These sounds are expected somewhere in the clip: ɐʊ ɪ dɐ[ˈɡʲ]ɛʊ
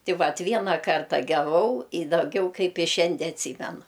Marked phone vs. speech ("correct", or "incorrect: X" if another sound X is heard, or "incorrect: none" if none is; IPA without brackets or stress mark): correct